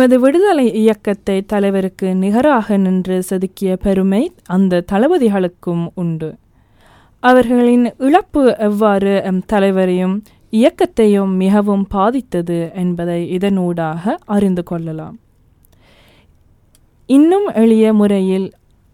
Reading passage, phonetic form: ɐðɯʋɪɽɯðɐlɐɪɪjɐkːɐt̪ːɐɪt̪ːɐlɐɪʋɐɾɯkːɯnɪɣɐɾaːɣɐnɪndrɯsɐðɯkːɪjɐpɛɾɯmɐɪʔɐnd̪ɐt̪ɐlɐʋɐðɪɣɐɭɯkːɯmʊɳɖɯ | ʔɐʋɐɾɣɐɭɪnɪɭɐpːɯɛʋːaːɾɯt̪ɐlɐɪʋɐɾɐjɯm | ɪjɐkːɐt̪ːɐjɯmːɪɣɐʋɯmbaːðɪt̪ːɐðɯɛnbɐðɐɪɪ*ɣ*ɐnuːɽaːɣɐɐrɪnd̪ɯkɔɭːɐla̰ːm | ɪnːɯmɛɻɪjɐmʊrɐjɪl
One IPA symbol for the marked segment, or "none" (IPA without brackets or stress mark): ð